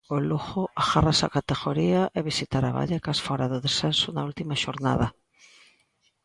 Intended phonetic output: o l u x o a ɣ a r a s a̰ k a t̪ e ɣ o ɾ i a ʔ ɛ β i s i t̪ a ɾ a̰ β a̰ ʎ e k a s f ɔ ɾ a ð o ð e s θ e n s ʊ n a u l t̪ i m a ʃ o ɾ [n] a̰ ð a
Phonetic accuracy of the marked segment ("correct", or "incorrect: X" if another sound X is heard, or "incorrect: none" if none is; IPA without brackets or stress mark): correct